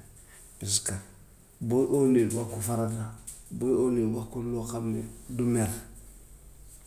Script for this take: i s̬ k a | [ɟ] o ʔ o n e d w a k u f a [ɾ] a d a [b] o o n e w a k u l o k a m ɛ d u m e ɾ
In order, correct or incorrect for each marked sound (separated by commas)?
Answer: incorrect, correct, correct